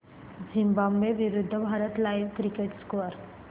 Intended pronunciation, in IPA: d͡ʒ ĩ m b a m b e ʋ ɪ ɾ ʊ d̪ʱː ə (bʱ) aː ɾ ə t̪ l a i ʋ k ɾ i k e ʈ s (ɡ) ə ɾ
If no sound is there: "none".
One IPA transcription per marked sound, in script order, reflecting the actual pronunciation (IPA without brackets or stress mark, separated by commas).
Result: bʱ, k